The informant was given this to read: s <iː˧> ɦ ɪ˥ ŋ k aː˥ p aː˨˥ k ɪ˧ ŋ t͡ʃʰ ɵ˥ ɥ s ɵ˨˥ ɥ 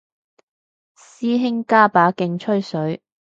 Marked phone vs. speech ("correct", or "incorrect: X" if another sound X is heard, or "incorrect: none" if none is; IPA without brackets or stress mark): incorrect: iː˥